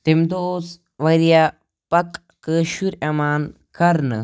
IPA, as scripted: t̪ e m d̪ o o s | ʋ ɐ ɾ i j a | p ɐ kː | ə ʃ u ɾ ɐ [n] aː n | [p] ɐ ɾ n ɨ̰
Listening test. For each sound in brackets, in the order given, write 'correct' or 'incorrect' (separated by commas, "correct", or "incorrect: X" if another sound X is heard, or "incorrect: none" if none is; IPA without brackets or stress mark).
incorrect: m, incorrect: k